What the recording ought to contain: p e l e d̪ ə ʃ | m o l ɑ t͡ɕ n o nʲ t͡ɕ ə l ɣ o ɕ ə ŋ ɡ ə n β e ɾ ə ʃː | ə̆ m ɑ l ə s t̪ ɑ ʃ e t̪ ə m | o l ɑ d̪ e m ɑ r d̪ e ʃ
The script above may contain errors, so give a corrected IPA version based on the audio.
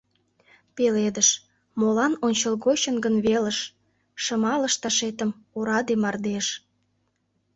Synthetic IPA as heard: p e l e d̪ ə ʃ | m o l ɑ n o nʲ t͡ɕ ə l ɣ o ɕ ə n ɡ ə n β e l ə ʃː | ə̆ m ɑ l ə ʃ t̪ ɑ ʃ e t̪ ə m | o ɾ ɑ d̪ e m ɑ r d̪ e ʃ